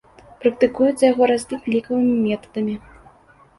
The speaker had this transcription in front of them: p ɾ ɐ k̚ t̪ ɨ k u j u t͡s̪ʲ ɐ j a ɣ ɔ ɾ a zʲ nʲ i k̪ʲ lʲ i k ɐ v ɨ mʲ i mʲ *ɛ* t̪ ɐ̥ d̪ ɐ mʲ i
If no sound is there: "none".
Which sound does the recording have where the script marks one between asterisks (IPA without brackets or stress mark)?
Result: ɛ